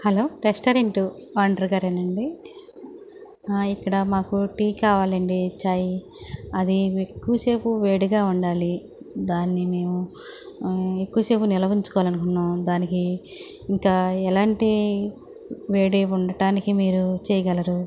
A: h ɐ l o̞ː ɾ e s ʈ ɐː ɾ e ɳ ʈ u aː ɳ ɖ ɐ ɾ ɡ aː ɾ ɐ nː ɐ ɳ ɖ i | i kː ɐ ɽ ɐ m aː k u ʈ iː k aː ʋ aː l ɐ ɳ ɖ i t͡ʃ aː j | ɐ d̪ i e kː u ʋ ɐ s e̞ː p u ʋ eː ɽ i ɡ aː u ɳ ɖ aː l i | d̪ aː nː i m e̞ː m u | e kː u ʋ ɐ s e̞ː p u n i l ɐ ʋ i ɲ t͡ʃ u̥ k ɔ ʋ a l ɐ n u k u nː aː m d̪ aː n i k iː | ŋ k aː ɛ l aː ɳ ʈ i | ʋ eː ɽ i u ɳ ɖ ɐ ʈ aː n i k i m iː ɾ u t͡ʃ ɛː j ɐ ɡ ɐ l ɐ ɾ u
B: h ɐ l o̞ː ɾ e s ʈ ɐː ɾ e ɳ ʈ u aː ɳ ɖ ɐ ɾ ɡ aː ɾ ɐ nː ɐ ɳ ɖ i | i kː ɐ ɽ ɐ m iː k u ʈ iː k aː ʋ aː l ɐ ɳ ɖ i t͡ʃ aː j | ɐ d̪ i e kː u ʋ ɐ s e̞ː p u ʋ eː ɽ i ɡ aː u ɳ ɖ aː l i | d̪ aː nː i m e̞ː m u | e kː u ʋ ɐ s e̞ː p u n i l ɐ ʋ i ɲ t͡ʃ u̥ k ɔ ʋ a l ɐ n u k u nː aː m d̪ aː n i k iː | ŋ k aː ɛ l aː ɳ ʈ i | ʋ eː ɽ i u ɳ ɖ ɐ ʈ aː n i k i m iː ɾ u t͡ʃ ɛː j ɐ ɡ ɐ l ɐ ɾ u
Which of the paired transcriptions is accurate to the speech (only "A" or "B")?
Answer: A